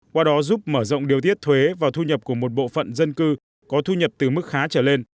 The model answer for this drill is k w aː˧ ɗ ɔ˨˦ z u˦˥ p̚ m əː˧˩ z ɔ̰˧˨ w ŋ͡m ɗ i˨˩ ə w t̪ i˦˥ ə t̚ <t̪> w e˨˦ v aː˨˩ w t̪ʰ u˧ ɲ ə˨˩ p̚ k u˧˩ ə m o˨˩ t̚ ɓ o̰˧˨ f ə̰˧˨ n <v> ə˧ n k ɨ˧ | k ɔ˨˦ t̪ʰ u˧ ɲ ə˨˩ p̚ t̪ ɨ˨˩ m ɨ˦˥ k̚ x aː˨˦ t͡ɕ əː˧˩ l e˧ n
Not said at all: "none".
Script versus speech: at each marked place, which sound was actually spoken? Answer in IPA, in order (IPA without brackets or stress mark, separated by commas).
t̪ʰ, z